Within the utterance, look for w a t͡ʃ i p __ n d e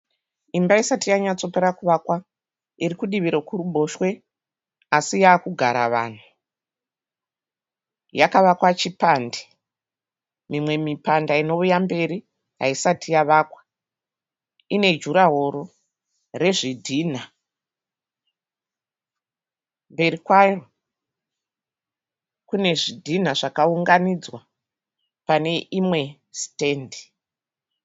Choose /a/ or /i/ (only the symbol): a